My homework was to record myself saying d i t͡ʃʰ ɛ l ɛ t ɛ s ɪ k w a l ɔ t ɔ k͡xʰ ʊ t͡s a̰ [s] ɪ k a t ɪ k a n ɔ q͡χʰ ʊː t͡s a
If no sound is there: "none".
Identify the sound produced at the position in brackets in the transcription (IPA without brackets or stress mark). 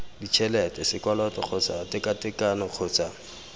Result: t